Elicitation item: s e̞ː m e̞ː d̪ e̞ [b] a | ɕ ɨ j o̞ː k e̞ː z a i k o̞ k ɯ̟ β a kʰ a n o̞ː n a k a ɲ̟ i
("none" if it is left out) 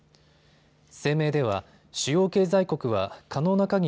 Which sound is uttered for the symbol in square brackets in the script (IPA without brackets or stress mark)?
β